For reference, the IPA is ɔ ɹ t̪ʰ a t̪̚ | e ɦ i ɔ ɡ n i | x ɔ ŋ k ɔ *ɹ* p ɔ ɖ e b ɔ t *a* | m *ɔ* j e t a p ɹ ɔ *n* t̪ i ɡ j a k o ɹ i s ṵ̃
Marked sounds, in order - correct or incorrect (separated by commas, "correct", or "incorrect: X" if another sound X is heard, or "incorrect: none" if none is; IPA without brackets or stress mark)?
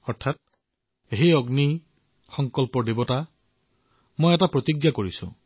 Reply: incorrect: l, correct, incorrect: o, incorrect: none